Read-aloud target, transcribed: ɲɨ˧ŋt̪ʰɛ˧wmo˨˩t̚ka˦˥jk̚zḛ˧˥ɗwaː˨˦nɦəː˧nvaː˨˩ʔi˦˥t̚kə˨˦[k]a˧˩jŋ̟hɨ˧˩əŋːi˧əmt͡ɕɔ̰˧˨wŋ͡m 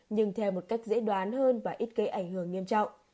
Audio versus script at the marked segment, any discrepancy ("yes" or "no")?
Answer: yes